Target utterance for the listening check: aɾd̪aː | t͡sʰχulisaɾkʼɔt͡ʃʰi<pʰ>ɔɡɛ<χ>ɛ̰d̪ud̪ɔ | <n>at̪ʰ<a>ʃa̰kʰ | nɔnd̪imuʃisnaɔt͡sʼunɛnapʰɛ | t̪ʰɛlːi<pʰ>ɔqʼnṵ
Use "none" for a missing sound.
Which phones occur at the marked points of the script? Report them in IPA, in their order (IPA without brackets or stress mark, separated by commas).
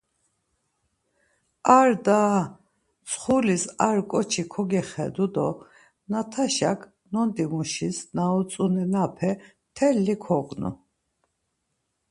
kʰ, χ, n, a, kʰ